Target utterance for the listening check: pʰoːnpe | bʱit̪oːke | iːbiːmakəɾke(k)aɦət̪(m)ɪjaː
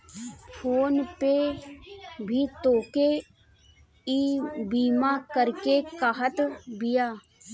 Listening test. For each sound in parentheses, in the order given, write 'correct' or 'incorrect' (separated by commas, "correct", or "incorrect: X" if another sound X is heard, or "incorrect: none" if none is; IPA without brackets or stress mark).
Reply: correct, incorrect: b